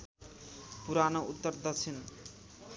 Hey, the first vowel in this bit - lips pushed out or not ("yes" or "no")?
yes